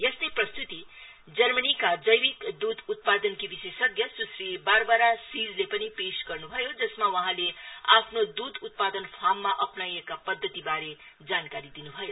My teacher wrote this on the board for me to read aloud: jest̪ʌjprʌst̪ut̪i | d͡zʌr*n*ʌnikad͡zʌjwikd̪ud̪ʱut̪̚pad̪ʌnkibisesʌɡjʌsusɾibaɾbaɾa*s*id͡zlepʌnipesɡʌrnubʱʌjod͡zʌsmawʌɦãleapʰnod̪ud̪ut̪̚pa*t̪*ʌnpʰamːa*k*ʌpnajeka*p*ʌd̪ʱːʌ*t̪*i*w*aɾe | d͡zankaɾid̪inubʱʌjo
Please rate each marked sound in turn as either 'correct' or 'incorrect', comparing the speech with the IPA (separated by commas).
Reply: incorrect, correct, incorrect, incorrect, correct, correct, incorrect